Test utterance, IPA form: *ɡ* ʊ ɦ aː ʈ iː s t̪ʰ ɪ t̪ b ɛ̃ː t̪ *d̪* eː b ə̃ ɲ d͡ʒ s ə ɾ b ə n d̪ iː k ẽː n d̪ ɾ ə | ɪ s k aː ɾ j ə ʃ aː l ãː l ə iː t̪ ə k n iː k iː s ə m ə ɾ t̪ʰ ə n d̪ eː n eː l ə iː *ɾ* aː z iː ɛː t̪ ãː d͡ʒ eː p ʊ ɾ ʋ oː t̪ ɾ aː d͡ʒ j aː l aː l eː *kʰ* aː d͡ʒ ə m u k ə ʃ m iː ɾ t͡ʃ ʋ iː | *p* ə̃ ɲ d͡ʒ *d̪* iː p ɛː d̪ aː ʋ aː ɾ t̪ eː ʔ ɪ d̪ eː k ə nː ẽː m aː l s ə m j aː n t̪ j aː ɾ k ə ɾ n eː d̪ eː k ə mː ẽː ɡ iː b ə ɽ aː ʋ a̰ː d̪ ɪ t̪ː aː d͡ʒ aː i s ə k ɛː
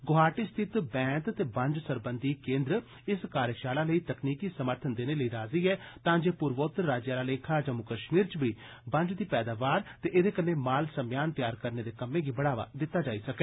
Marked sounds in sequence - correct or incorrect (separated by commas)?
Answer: correct, incorrect, correct, correct, incorrect, correct